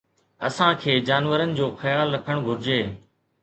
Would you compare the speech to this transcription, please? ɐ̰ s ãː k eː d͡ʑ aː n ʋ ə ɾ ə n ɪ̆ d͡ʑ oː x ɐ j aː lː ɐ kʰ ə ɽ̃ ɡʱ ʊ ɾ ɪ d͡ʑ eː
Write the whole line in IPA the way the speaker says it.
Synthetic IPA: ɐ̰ s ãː kʰ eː d͡ʑ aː n ʋ ə ɾ ə n ɪ̆ d͡ʑ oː x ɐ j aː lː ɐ kʰ ə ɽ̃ ɡʱ ʊ ɾ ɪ d͡ʑ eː